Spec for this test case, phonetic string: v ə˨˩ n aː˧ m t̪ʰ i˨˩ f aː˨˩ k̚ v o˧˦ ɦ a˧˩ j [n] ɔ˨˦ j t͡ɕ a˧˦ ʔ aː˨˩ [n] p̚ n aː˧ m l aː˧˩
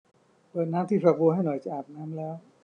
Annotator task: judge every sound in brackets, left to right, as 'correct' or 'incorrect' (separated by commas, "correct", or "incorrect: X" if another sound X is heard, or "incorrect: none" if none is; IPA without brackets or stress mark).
correct, incorrect: none